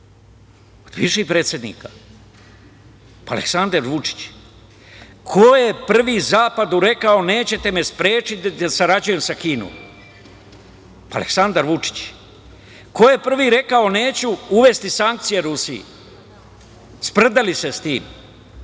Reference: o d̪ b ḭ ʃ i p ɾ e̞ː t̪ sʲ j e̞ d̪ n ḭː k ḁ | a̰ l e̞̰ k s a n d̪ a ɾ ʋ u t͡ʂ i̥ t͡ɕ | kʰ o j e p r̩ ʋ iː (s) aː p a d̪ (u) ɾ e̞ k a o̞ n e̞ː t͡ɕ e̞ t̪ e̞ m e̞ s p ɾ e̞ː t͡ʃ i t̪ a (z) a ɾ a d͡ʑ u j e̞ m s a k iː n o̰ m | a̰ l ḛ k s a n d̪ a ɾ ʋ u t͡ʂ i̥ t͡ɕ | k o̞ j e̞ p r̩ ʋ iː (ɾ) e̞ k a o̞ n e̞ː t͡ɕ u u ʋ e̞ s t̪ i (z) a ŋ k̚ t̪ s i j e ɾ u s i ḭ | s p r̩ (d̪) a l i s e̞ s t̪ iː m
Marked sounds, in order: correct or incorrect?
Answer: incorrect: z, correct, incorrect: s, correct, incorrect: s, correct

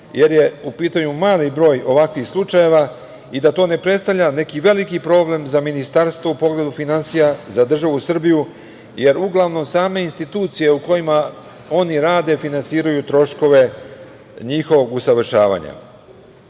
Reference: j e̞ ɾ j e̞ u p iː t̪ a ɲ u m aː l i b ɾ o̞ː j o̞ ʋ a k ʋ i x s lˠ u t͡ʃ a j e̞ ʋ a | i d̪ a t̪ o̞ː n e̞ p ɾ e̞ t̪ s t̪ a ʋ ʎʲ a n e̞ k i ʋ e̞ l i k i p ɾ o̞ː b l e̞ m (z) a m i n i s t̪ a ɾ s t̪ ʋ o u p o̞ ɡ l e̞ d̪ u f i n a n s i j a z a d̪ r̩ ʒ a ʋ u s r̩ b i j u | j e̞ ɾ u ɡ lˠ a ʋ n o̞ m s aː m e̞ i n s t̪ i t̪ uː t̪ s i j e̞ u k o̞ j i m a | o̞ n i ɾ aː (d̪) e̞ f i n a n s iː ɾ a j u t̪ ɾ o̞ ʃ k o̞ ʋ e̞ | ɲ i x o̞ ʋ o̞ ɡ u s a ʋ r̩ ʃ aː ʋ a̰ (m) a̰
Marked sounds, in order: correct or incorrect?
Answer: correct, correct, incorrect: ɲ

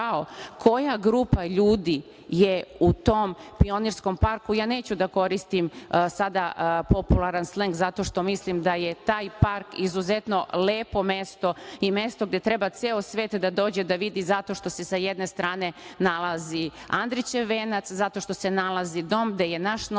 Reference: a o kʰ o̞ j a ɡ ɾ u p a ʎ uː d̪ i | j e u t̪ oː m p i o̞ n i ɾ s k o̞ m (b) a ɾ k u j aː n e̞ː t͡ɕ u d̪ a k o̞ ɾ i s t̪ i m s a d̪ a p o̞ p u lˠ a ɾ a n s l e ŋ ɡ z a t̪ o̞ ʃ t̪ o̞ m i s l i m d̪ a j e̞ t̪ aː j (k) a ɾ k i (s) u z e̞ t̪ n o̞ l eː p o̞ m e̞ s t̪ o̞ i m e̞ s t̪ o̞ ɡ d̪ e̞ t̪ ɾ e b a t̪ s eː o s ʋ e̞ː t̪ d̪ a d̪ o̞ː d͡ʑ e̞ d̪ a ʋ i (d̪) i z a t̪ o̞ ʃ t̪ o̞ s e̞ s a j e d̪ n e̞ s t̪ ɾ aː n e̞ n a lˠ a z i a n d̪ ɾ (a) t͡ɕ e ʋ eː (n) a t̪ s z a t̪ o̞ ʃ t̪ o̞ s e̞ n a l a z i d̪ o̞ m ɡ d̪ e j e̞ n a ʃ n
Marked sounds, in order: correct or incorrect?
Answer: incorrect: p, incorrect: p, incorrect: z, correct, incorrect: i, correct

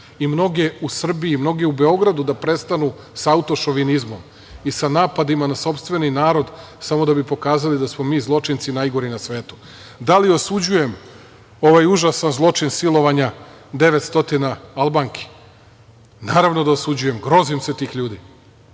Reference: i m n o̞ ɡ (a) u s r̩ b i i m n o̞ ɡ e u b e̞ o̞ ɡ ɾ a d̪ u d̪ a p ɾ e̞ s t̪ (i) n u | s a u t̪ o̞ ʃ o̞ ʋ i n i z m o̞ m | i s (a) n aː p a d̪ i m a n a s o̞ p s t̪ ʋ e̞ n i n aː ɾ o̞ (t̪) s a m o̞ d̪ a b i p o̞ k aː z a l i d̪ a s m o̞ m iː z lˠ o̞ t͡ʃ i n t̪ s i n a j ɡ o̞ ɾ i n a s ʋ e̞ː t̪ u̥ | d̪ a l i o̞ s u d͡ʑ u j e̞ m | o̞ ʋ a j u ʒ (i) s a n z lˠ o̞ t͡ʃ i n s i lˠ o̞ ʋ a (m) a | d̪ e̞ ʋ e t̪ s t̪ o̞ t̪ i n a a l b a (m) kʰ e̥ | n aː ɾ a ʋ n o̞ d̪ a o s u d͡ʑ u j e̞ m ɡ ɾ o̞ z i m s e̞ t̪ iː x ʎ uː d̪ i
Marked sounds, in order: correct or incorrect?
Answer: incorrect: e, incorrect: a, correct, incorrect: d̪, incorrect: a, incorrect: ɲ, incorrect: ŋ

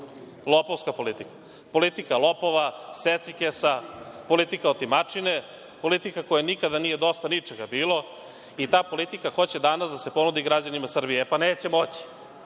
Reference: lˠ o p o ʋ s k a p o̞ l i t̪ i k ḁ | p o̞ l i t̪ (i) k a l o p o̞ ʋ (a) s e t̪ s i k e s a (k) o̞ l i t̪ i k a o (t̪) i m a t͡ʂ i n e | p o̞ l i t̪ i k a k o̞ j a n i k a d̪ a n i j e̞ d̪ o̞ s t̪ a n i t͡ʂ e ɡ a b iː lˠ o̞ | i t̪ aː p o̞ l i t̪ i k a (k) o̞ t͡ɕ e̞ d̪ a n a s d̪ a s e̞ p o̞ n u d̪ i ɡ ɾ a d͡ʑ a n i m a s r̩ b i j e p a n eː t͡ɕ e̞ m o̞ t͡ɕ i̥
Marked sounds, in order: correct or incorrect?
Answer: correct, correct, incorrect: p, correct, incorrect: x

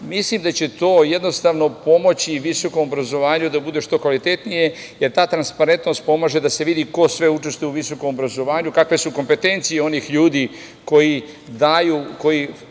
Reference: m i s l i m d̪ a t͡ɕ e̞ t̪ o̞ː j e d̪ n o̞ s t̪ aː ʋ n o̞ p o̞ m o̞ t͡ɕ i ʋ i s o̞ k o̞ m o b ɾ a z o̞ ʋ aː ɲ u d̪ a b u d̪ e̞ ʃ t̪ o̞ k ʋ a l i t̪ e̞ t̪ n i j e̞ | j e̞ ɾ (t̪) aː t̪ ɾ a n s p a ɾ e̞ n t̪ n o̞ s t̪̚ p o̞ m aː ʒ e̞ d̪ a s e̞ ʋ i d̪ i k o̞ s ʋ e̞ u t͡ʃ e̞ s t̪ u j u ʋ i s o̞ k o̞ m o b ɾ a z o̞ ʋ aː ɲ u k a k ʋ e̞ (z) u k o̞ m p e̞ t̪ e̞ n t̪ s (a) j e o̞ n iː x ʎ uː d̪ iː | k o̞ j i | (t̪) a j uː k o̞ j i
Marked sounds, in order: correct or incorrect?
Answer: correct, incorrect: s, incorrect: i, incorrect: d̪

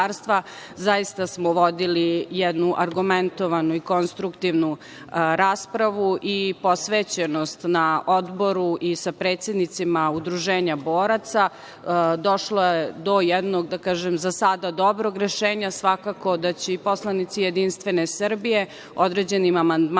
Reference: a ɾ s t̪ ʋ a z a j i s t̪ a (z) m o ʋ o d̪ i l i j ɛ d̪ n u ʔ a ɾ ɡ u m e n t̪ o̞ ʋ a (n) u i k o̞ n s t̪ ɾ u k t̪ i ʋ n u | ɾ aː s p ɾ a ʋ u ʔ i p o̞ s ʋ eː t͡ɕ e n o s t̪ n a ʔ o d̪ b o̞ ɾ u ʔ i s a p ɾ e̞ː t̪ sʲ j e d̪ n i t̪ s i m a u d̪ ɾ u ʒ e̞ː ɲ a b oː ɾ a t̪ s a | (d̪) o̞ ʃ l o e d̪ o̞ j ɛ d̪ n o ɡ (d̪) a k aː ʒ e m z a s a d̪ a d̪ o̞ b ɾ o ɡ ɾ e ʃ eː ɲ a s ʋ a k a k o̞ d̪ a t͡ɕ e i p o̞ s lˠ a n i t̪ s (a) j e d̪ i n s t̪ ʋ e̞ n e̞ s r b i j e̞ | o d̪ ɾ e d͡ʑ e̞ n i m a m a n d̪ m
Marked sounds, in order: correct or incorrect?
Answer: incorrect: s, correct, correct, correct, incorrect: i

